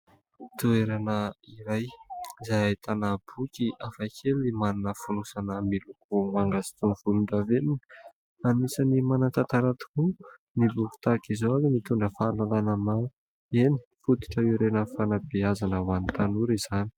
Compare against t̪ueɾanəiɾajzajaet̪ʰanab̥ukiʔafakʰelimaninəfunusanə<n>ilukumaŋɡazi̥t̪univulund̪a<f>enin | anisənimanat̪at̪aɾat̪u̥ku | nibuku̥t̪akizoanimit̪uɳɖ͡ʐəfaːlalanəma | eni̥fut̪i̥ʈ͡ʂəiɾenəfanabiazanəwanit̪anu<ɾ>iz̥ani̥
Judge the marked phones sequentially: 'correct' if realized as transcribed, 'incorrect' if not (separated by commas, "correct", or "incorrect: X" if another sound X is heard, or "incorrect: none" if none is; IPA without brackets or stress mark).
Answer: incorrect: m, incorrect: v, correct